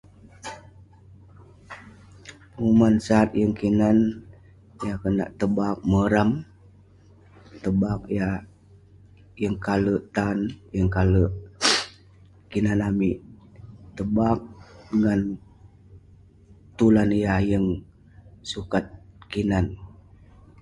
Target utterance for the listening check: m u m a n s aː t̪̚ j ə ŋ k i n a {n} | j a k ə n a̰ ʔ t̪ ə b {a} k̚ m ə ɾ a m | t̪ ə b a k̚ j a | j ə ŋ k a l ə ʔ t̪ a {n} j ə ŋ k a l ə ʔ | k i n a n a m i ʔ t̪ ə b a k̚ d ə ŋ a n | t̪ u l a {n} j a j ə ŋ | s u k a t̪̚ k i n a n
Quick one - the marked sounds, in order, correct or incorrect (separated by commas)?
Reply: correct, correct, correct, correct